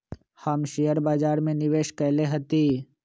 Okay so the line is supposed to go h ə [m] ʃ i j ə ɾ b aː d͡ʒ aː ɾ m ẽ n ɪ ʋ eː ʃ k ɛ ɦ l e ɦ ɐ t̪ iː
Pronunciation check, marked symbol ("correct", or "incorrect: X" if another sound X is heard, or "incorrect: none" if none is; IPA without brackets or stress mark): correct